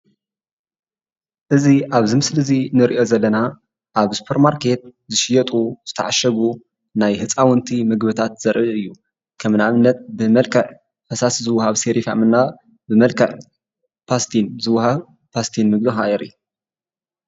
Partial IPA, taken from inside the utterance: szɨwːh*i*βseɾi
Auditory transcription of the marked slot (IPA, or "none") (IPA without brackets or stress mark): a